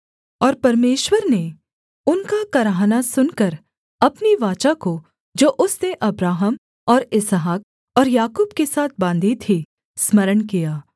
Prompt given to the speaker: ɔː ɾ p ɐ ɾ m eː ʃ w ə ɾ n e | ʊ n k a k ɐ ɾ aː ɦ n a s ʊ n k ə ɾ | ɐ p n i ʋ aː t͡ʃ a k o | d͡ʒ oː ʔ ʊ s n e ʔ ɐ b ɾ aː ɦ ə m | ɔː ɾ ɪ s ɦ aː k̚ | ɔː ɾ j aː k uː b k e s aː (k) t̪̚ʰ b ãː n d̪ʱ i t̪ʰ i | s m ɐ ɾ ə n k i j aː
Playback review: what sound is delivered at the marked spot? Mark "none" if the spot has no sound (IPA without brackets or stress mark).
none